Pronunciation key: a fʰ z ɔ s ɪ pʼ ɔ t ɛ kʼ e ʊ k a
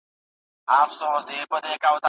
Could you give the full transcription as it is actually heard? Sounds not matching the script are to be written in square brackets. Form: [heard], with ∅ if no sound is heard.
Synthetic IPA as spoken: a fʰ [s] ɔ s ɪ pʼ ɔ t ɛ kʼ [a] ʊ [t] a